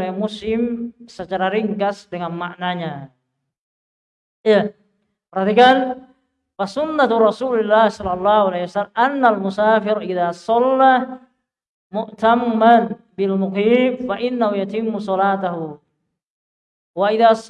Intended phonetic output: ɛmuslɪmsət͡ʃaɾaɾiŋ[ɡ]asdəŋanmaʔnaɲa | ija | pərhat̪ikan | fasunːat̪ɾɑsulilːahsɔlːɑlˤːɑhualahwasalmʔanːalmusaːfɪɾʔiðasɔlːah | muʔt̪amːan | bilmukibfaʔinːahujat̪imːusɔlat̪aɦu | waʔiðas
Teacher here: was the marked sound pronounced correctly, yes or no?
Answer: no